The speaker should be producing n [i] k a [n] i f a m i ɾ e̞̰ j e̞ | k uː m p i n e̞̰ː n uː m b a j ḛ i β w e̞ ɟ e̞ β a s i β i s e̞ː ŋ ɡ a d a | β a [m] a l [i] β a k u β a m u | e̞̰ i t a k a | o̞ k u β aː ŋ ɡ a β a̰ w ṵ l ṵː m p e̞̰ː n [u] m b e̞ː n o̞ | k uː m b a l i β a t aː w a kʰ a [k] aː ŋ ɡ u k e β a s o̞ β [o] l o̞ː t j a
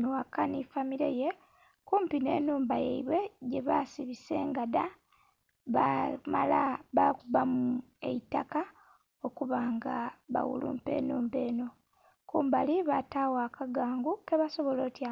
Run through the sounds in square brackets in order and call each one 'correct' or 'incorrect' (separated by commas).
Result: incorrect, correct, correct, incorrect, incorrect, incorrect, correct